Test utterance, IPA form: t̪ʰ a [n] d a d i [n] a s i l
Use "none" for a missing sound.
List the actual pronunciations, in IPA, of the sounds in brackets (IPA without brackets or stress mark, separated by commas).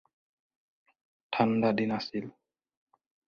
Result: n, n